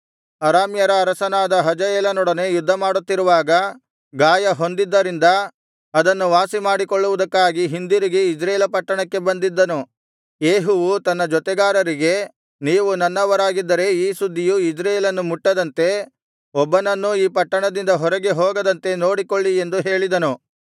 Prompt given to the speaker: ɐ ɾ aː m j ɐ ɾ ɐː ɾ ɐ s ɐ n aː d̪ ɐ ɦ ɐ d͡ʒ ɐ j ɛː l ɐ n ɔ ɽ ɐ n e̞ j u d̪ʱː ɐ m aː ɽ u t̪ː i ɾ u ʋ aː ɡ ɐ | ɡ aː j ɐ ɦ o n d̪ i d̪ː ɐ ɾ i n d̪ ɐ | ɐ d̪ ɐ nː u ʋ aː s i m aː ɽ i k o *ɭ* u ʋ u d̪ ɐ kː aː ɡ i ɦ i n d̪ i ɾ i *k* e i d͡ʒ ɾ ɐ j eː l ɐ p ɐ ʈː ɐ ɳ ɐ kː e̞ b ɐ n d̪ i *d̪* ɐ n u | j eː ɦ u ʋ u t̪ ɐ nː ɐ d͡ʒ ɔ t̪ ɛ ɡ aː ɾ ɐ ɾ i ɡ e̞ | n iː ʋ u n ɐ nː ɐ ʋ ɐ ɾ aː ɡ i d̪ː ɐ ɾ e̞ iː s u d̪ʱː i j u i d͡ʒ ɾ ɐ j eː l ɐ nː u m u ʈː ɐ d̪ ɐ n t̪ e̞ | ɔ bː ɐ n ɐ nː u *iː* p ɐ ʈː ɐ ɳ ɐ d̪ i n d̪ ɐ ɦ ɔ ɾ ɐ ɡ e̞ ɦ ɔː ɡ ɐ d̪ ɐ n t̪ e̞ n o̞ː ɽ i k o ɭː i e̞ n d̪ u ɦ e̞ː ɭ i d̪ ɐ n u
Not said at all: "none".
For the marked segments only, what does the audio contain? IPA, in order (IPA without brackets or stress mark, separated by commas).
ɭː, ɡ, d̪ː, iː